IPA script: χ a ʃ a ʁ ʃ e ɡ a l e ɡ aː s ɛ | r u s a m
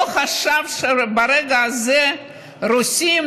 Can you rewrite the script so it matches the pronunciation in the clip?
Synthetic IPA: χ a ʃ a v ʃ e b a ɾ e ɡ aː z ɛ | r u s i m

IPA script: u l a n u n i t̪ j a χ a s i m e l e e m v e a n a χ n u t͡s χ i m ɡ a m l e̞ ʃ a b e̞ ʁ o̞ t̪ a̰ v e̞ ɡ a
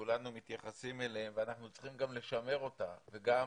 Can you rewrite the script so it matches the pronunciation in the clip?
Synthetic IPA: u l a n u m i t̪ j a χ a s i m e l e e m v e a n a χ n u t͡s χ i m ɡ a m l e̞ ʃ a m e̞ ʁ o̞ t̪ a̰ v e̞ ɡ a

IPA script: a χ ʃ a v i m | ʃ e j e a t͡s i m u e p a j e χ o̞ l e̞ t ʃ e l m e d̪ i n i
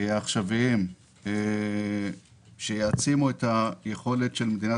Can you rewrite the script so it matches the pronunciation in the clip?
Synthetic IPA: a χ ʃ a v i m | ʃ e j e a t͡s i m u e t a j e χ o̞ l e̞ t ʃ e l m e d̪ i n a

